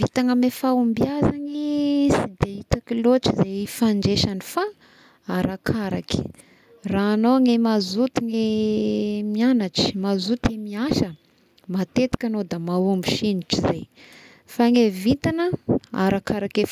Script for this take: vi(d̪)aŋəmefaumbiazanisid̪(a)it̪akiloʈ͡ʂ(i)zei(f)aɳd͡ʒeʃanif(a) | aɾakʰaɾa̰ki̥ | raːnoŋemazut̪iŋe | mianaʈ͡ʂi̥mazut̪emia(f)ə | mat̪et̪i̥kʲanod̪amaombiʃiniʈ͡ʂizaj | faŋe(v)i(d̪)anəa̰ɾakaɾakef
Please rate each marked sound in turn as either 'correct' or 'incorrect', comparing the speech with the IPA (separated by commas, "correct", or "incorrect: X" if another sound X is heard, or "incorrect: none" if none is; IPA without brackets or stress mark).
incorrect: t̪, incorrect: e, correct, correct, correct, incorrect: ʃ, correct, incorrect: t̪